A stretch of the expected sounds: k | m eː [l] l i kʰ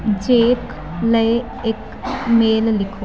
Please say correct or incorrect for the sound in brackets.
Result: correct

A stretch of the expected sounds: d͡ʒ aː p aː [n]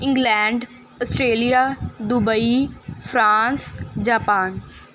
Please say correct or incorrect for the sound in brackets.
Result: correct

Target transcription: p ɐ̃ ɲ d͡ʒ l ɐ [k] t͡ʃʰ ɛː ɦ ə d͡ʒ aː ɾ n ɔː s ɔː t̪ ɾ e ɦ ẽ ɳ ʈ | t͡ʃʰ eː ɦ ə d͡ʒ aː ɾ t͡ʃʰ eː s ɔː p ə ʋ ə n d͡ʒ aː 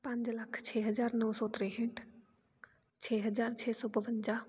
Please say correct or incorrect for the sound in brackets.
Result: incorrect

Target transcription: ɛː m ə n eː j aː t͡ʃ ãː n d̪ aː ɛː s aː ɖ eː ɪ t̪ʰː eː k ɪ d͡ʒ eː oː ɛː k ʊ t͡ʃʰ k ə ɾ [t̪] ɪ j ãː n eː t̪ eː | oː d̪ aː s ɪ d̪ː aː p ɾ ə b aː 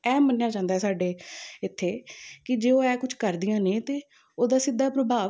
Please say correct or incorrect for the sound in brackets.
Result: incorrect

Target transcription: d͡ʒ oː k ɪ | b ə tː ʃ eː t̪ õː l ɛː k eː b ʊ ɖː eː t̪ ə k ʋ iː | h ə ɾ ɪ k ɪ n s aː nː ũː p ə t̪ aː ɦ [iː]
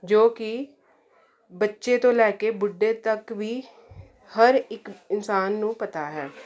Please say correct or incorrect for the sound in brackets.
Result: incorrect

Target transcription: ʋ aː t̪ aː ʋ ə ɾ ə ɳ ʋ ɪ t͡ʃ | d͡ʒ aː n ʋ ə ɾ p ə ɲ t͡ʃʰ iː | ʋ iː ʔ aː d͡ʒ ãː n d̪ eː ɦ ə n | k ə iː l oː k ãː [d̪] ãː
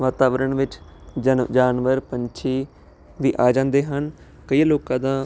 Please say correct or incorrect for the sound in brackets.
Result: correct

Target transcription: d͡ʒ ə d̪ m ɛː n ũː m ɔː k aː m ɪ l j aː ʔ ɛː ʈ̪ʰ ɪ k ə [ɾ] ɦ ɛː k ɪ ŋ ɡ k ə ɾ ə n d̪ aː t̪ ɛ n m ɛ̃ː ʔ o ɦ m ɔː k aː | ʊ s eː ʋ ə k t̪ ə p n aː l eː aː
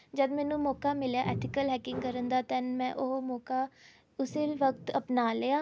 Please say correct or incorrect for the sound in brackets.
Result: incorrect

